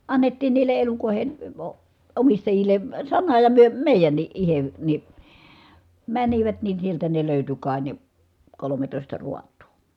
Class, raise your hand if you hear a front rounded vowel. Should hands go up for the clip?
yes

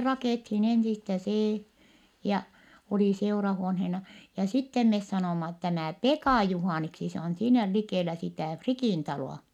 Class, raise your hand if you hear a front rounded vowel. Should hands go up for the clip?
no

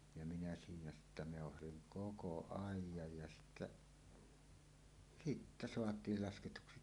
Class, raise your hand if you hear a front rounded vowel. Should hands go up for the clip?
no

